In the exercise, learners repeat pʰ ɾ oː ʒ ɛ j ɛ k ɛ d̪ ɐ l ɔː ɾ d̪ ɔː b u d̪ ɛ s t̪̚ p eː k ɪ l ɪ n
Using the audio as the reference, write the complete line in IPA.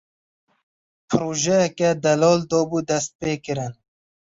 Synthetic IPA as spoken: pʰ ɾ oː ʒ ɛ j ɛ k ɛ d̪ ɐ l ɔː l d̪ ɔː b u d̪ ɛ s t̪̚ p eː k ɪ ɾ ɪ n